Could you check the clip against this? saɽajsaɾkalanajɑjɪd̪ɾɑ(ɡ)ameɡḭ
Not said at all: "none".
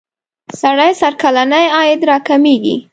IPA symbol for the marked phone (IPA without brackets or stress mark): k